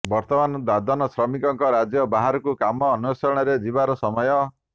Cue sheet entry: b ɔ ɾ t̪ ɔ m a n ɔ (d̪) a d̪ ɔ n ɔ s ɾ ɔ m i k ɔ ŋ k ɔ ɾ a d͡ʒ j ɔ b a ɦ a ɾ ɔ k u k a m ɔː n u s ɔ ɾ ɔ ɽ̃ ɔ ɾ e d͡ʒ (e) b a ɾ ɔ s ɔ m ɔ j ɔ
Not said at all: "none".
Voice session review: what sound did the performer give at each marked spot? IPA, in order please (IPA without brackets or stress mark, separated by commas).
d̪, i